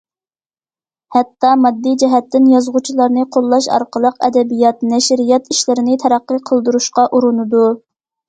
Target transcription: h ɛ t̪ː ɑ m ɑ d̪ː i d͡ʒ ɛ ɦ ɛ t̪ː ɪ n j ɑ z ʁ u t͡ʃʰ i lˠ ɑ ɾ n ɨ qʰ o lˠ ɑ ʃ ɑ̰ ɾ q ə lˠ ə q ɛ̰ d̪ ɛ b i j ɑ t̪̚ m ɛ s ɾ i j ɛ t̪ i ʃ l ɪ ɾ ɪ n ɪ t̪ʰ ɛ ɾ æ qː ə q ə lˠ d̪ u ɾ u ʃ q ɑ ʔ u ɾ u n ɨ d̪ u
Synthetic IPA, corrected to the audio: h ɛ t̪ː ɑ m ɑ d̪ː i d͡ʒ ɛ ɦ ɛ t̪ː ɪ n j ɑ z ʁ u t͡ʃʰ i lˠ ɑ ɾ n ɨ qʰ o lˠː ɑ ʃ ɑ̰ ɾ q ə lˠ ə q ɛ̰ d̪ ɛ b i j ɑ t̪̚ n ɛ ʃ ɾ i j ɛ t̪ i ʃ l ɪ ɾ ɪ n ɪ t̪ʰ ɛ ɾ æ qː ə qʰ ə lˠ d̪ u ɾ u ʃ q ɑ ʔ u ɾ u n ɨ d̪ u